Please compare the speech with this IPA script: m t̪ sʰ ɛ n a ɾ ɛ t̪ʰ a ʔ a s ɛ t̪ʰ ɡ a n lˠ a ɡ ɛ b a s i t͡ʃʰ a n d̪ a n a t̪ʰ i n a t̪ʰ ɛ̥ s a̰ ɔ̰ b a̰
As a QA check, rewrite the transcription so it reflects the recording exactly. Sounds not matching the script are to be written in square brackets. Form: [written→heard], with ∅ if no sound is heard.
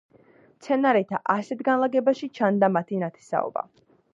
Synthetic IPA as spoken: m t̪ sʰ ɛ n a ɾ ɛ t̪ʰ a ʔ a s ɛ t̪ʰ ɡ a n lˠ a ɡ ɛ b a [s→ʃ] i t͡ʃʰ a n d̪ a [n→m] a t̪ʰ i n a t̪ʰ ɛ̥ s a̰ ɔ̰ b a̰